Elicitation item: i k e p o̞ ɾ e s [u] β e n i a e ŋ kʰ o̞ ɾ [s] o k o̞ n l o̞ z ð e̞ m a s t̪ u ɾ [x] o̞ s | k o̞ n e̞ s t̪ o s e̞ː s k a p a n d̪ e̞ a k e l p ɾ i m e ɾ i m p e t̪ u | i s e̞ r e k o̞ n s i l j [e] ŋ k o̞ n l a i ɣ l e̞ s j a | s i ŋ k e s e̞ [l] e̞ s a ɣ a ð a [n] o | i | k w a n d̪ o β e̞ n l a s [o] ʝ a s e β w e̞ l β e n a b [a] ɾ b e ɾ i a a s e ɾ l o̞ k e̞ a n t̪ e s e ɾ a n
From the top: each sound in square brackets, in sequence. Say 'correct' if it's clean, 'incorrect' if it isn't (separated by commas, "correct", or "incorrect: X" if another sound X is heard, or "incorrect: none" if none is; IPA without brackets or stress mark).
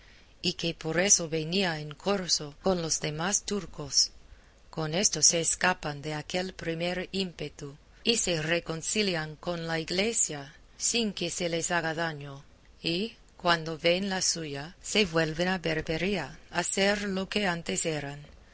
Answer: incorrect: o, correct, incorrect: k, incorrect: a, correct, incorrect: ɲ, incorrect: u, incorrect: e